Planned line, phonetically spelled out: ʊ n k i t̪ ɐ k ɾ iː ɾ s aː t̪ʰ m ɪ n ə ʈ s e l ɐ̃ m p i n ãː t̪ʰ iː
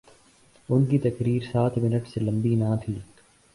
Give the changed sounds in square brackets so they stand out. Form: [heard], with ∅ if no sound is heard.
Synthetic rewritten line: ʊ n k i t̪ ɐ k ɾ iː ɾ s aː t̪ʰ m ɪ n ə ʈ s e l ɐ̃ m [b] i n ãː t̪ʰ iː